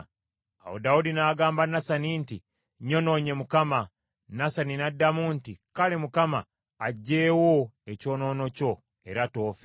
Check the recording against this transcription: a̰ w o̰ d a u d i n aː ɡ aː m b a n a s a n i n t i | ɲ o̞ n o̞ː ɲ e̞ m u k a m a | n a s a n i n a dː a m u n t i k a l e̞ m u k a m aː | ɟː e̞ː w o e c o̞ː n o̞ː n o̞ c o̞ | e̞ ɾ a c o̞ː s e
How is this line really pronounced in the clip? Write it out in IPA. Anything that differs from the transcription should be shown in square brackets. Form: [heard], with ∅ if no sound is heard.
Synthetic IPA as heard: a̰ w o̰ d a u d i n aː ɡ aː m b a n a s a n i n t i | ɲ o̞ n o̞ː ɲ e̞ m u k a m a | n a s a n i n a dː a m u n t i k a l e̞ m u k a m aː | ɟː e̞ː w o e c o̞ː n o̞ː n o̞ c o̞ | e̞ ɾ a [t] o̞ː [f] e